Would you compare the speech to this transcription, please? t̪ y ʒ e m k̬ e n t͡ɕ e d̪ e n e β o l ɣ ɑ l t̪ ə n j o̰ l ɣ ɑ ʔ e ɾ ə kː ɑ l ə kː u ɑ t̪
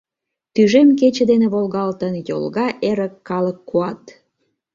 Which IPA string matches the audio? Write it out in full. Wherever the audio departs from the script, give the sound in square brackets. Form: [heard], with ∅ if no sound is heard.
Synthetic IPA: t̪ y ʒ e m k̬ e [∅] t͡ɕ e d̪ e n e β o l ɣ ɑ l t̪ ə n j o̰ l ɣ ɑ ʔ e ɾ ə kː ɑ l ə kː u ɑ t̪